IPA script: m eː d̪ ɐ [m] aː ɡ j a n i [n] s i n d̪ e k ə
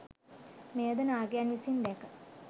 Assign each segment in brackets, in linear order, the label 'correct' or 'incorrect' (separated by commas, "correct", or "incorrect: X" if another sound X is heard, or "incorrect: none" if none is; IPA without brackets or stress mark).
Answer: incorrect: n, incorrect: none